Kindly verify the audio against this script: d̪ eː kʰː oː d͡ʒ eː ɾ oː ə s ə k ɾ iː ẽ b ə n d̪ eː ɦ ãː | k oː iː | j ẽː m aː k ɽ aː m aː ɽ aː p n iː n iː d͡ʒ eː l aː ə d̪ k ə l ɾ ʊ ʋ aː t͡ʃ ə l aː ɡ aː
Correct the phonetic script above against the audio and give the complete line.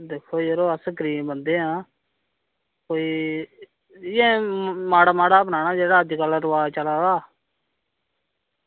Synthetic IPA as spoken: d̪ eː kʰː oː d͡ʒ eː ɾ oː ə s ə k ɾ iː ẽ b ə n d̪ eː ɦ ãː | k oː iː | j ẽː m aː ɽ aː m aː ɽ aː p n aː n aː d͡ʒ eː ɽ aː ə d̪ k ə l ɾ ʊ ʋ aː t͡ʃ ə l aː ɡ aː